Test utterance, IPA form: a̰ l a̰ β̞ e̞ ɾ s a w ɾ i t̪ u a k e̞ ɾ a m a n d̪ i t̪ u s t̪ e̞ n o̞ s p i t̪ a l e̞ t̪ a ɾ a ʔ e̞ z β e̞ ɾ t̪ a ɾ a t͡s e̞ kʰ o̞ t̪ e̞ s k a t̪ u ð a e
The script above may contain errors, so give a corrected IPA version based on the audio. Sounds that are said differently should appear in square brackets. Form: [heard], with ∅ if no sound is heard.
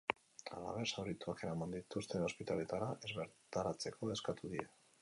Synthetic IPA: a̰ l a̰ β̞ e̞ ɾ s a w ɾ i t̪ u a k e̞ ɾ a m a n d̪ i t̪ u s t̪ e̞ n o̞ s p i t̪ a l e̞ t̪ a ɾ a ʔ e̞ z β e̞ ɾ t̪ a ɾ a t͡s e̞ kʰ o̞ [∅] e̞ s k a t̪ u ð [i] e